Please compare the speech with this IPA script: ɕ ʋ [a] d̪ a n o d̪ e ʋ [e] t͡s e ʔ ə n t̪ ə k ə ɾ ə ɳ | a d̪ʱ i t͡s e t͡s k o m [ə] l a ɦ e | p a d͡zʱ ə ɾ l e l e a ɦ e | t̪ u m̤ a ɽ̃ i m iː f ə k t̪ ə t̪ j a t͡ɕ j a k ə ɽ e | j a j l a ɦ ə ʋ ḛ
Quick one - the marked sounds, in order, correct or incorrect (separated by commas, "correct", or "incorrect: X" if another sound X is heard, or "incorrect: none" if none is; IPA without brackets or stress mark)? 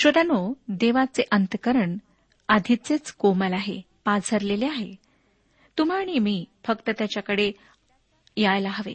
incorrect: ə, incorrect: a, correct